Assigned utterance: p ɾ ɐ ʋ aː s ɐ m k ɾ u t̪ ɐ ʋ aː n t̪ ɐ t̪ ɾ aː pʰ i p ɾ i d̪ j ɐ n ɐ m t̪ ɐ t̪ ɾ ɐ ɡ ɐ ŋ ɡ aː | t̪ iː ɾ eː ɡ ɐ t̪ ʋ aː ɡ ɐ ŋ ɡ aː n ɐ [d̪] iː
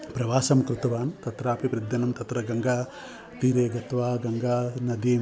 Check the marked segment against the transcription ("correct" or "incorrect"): correct